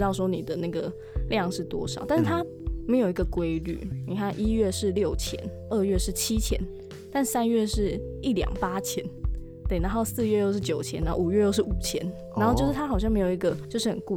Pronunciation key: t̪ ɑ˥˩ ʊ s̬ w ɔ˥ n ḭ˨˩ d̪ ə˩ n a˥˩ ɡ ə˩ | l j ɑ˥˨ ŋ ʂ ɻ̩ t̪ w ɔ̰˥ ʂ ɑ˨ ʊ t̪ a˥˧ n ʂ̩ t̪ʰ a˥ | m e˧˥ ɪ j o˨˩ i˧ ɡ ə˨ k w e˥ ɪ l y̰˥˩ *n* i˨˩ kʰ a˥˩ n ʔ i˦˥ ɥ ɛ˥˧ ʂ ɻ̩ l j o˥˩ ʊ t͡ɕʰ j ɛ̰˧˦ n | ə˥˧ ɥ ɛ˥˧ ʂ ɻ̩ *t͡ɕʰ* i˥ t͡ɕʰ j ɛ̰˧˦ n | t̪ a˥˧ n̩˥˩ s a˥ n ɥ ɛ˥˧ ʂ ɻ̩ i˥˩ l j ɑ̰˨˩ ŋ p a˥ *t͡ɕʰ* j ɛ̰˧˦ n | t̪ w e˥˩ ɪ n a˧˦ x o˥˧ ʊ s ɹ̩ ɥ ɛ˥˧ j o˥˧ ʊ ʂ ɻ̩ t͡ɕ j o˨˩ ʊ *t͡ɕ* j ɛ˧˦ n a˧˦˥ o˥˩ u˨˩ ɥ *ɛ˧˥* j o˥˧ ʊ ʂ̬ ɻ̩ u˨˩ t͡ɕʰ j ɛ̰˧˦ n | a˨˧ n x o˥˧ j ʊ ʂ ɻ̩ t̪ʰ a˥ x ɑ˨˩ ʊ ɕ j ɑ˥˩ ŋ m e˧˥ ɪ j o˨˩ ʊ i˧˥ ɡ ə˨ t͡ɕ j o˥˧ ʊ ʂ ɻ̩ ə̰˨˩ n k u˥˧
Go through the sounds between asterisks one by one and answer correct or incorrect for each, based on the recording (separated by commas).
correct, correct, correct, incorrect, incorrect